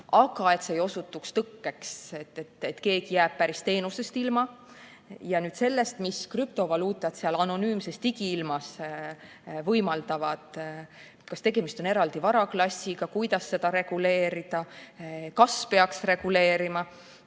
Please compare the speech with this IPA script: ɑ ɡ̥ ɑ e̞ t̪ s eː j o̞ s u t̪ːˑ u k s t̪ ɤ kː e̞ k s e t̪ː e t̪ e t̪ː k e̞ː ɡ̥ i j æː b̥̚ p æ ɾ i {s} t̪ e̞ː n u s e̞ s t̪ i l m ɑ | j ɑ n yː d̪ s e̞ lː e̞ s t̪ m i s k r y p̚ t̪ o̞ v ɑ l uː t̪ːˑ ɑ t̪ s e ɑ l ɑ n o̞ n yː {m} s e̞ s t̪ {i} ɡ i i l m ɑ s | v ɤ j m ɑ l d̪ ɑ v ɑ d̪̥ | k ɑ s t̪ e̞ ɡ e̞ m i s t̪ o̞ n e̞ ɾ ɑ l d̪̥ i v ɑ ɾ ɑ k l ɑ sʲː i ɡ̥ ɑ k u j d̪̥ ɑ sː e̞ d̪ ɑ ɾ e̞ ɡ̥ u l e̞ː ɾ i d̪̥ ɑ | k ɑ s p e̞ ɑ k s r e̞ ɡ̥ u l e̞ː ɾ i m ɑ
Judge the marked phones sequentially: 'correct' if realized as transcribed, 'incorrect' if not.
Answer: correct, correct, correct

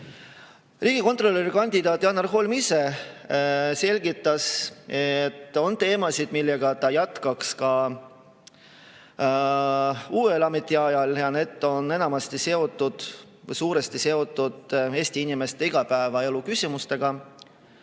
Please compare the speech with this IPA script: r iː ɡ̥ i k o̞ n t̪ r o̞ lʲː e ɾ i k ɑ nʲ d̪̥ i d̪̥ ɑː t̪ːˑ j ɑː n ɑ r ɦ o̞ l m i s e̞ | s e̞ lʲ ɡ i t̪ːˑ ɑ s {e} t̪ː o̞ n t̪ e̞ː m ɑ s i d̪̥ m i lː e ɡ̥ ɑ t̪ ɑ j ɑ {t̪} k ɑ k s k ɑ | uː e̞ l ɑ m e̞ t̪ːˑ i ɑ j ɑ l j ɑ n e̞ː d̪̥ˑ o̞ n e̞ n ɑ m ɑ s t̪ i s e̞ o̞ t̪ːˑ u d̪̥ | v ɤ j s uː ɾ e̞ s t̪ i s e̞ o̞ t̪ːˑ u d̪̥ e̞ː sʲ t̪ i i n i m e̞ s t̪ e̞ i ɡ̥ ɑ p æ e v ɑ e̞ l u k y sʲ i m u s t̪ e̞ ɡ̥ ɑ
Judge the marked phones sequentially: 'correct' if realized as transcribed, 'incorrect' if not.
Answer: correct, correct

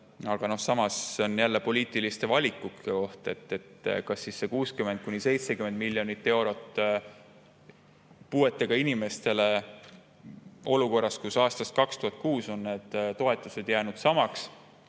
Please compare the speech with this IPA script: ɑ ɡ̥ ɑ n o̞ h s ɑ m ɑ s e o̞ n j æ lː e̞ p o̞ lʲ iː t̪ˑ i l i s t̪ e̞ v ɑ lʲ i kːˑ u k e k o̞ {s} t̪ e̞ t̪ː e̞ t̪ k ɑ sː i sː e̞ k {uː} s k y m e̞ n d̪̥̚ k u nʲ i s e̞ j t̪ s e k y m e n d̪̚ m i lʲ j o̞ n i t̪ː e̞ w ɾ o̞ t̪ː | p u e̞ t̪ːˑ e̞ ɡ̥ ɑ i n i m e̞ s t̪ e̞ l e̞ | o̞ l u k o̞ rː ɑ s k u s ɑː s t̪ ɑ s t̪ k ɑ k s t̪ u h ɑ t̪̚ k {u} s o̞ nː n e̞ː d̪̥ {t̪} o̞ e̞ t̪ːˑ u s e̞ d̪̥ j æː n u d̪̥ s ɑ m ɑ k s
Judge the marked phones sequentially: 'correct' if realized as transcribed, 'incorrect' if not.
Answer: incorrect, correct, incorrect, correct

